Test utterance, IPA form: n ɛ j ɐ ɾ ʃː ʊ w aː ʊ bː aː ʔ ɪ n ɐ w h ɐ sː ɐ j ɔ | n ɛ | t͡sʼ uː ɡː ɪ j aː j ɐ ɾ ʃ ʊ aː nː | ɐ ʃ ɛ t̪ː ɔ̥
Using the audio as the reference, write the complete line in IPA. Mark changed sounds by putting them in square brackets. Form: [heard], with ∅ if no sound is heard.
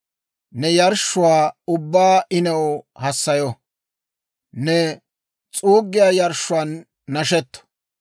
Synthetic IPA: n ɛ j ɐ ɾ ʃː ʊ w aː ʊ bː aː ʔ ɪ n ɐ w h ɐ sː ɐ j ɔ | n ɛ | t͡sʼ uː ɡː ɪ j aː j ɐ ɾ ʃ ʊ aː nː | ɐ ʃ ɛ t̪ː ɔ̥